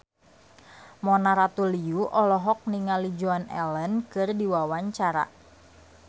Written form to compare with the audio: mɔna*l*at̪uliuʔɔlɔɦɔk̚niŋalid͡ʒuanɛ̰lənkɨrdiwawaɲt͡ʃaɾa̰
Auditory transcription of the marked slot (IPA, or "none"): ɾ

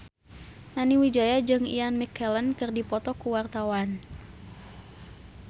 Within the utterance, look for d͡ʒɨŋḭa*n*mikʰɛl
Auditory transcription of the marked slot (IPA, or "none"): n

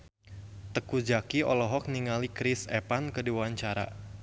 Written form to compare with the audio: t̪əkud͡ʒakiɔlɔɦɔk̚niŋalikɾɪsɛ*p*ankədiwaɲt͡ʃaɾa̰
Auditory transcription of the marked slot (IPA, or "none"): p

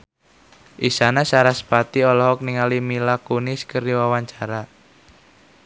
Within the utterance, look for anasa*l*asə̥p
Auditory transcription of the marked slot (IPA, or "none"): ɾ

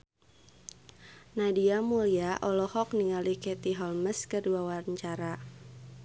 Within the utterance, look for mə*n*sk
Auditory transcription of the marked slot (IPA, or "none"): none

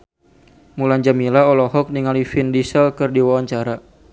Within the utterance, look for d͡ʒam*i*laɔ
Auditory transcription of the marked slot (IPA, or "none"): i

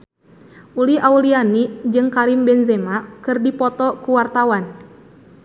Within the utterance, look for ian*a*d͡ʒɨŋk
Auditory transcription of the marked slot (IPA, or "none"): i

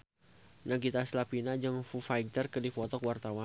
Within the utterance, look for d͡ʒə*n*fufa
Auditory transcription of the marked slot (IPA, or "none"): ŋ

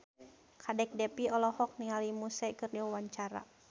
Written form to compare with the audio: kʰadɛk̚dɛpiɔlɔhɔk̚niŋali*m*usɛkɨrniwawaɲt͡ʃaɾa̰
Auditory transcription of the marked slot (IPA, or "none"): m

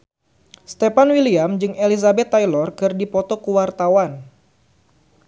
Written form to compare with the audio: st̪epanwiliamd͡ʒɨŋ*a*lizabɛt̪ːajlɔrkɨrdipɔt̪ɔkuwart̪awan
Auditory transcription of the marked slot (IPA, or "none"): e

